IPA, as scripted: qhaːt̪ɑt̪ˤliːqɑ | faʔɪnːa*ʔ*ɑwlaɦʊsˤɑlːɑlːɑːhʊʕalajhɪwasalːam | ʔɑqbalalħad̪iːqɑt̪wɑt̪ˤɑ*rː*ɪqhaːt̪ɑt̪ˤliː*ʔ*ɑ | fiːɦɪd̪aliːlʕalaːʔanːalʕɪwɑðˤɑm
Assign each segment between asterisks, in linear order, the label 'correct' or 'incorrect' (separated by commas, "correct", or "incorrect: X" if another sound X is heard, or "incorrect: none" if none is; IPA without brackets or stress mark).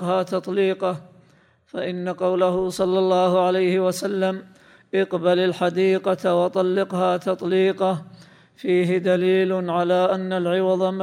incorrect: q, incorrect: lː, incorrect: q